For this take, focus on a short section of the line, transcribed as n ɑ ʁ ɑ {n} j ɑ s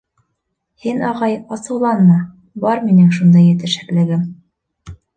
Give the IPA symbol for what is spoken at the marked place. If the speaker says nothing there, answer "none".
none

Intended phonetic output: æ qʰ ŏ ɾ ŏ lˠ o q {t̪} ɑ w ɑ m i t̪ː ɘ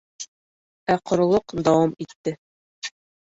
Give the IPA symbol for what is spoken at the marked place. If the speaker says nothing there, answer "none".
d̪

